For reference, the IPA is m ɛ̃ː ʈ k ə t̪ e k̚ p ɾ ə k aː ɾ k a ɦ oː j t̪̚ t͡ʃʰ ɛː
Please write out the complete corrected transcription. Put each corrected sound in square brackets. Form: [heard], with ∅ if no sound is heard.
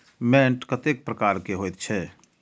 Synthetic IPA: m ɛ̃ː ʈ k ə t̪ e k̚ p ɾ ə k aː ɾ k [e] ɦ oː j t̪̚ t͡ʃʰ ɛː